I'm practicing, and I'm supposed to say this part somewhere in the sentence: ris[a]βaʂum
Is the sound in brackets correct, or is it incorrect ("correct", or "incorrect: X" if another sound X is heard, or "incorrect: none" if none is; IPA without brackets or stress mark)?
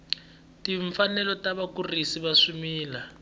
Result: incorrect: i